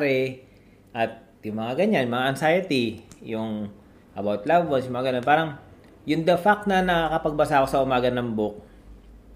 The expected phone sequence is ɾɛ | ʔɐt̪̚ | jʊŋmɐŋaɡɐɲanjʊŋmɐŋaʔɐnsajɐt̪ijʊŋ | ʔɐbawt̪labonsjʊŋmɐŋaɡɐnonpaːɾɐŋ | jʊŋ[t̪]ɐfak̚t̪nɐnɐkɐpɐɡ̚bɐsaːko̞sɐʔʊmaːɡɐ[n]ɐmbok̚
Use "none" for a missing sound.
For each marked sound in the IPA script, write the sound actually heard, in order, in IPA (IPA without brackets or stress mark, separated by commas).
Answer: d̪, n